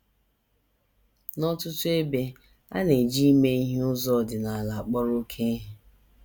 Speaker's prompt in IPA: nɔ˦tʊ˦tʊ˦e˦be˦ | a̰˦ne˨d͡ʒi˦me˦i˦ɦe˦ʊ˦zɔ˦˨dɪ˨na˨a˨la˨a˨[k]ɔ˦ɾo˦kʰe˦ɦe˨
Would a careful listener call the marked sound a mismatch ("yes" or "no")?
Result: yes